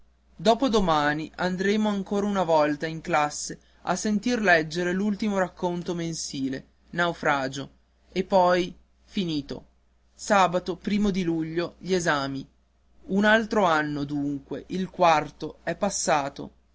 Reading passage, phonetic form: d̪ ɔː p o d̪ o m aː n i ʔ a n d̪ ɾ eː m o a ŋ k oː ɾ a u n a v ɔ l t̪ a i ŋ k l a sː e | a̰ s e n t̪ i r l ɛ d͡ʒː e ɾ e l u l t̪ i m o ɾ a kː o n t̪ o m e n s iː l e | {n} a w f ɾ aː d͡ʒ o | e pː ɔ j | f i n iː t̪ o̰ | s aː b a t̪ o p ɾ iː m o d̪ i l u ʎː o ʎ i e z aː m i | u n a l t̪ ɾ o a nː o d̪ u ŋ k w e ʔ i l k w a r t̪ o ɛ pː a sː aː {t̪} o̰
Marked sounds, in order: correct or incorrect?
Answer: correct, correct

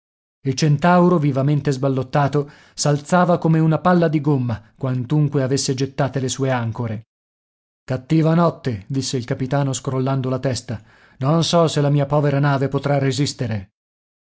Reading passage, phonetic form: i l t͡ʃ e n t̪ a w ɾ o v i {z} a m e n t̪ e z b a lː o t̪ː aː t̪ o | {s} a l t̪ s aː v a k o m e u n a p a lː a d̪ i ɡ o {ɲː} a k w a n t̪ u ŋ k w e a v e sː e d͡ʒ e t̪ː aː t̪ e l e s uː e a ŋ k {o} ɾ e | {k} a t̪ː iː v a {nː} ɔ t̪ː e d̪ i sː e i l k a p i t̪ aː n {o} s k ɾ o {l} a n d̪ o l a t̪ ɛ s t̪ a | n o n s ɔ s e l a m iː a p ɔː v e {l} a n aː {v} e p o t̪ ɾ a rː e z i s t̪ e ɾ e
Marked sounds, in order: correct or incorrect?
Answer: incorrect, correct, incorrect, correct, correct, incorrect, correct, incorrect, incorrect, correct

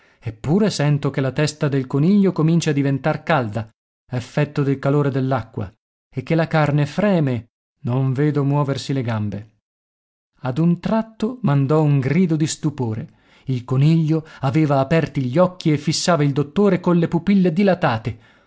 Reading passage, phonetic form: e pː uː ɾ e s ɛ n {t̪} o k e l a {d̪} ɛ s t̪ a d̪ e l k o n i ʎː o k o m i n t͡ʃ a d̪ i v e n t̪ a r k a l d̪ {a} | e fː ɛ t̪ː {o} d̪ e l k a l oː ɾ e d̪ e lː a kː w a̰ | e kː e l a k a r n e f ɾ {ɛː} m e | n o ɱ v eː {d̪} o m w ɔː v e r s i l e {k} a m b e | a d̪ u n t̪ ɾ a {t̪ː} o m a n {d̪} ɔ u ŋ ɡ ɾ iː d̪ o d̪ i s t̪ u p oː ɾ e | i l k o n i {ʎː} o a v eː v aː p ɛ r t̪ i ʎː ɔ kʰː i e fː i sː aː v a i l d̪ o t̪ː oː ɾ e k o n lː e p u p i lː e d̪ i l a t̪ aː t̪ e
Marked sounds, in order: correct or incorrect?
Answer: correct, incorrect, correct, correct, correct, correct, incorrect, correct, correct, correct

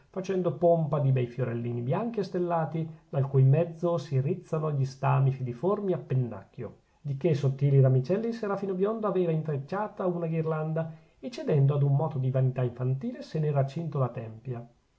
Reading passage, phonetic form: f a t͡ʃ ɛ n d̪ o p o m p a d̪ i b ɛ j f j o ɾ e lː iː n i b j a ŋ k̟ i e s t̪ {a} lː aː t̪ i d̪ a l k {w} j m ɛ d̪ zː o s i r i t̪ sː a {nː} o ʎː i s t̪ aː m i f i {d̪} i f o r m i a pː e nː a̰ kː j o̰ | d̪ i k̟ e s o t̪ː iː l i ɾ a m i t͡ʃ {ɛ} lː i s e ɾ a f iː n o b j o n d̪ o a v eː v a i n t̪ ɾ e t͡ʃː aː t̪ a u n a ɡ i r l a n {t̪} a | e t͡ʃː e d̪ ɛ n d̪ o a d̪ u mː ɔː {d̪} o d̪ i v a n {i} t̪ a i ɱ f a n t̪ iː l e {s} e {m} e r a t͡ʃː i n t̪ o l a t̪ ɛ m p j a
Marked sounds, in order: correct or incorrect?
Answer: incorrect, incorrect, incorrect, correct, correct, incorrect, incorrect, correct, correct, incorrect

